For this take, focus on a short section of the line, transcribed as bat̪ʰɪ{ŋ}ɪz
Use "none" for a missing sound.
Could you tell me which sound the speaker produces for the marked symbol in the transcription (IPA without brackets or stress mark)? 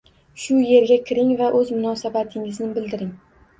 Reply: ŋ